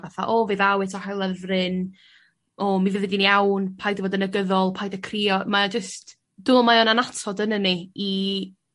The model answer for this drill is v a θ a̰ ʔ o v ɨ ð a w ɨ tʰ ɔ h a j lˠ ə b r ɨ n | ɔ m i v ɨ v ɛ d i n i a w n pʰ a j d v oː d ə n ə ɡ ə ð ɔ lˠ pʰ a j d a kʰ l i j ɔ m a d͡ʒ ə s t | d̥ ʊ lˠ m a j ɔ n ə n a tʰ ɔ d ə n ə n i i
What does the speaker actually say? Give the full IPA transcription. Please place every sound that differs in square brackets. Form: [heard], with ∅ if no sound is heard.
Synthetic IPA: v a θ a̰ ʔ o v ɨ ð a w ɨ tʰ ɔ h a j lˠ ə [v] r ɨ n | ɔ m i v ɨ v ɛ d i n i a w n pʰ a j d v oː d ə n ə ɡ ə ð ɔ lˠ pʰ a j d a kʰ [r] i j ɔ m a d͡ʒ ə s t | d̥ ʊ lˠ m a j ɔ n [a] n a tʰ ɔ d ə n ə n i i